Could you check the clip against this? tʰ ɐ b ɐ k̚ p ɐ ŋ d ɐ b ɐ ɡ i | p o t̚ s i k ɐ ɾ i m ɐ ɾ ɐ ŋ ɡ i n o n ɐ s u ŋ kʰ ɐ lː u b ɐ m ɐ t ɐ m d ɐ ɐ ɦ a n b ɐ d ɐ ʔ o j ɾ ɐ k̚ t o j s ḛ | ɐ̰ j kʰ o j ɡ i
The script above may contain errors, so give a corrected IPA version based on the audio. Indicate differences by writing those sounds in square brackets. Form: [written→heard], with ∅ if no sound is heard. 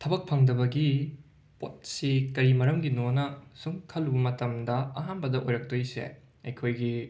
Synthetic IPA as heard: tʰ ɐ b ɐ k̚ [p→pʰ] ɐ ŋ d ɐ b ɐ ɡ i | p o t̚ s i k ɐ ɾ i m ɐ ɾ ɐ [ŋ→m] ɡ i n o n ɐ s u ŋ kʰ ɐ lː u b ɐ m ɐ t ɐ m d ɐ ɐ ɦ a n b ɐ d ɐ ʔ o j ɾ ɐ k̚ t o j s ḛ | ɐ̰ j kʰ o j ɡ i